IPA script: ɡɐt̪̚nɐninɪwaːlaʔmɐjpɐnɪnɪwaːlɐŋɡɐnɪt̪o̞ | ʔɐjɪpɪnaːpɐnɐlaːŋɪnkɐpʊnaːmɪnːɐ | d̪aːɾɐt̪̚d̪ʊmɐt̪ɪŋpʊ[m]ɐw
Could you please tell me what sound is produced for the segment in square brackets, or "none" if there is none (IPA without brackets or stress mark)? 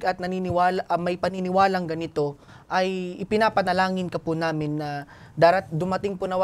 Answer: n